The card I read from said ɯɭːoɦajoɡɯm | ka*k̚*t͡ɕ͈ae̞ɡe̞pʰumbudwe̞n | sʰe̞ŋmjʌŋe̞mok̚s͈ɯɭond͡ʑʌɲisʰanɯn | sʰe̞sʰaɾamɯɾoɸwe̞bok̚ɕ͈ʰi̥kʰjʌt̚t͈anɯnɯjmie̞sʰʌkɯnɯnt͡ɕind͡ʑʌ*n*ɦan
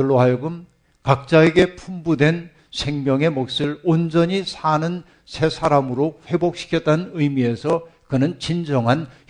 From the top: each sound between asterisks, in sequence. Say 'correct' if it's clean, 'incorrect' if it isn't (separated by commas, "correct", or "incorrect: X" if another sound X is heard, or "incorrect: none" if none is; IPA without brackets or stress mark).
correct, incorrect: ŋ